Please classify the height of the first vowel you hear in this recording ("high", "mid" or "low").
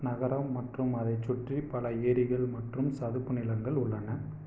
low